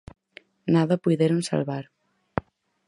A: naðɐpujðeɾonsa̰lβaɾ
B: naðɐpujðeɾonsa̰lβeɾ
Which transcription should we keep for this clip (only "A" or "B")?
A